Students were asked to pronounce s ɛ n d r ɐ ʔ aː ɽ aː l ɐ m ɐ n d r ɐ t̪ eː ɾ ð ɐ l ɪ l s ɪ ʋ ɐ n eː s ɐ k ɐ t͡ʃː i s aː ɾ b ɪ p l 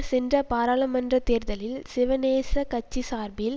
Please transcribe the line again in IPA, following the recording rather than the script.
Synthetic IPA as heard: s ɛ n d r ɐ p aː ɾ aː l ɐ m ɐ n d r ɐ t̪ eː ɾ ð ɐ l ɪ l s ɪ ʋ ɐ n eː s ɐ k ɐ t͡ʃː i s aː ɾ b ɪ l